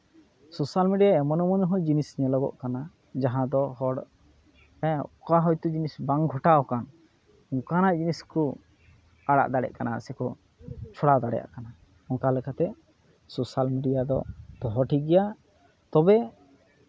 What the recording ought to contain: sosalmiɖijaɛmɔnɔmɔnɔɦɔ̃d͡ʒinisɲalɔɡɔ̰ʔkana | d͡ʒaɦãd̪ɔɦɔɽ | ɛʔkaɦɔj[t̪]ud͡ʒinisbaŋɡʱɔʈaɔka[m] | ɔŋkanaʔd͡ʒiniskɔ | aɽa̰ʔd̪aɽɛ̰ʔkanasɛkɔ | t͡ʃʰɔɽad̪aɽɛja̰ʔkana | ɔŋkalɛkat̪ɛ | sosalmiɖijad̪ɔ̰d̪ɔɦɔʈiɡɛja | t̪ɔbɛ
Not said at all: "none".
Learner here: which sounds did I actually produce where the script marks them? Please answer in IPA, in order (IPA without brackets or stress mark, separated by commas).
t̪, n